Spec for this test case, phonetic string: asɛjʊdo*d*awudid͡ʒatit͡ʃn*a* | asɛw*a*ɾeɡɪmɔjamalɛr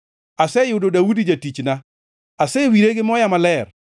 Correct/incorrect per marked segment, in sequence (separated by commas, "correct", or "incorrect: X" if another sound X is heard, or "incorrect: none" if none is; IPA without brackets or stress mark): correct, correct, incorrect: i